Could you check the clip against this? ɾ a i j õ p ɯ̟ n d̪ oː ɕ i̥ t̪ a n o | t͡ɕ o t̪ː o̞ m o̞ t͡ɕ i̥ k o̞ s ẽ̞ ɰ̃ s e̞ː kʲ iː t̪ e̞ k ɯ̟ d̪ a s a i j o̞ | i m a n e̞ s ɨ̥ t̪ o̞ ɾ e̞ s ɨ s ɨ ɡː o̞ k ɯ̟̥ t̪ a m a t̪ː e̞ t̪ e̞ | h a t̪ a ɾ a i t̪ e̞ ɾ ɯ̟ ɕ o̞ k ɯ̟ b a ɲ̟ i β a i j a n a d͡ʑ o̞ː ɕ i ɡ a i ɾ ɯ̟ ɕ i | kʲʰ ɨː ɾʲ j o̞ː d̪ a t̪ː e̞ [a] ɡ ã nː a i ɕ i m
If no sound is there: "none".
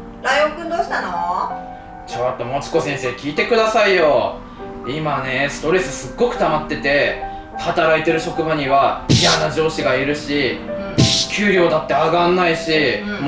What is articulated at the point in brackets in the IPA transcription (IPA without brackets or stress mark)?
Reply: a